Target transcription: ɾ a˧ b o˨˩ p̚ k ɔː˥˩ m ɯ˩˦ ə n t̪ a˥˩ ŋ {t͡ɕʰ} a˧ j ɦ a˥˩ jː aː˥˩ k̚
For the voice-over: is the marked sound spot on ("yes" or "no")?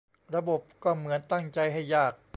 no